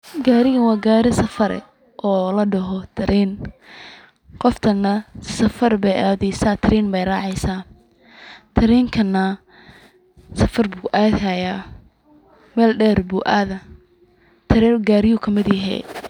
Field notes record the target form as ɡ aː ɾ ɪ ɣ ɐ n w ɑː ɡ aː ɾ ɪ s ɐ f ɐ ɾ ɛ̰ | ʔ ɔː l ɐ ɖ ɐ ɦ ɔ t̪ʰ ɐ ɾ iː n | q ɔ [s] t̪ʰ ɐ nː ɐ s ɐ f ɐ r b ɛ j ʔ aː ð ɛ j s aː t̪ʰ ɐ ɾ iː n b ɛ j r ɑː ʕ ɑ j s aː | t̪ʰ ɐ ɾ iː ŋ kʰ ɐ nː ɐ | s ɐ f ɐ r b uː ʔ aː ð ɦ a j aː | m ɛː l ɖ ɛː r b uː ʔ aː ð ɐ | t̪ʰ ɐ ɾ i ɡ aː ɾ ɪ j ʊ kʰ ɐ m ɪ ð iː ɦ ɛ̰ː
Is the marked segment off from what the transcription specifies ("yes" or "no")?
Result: yes